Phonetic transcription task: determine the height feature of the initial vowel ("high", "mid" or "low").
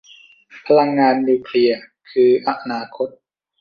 low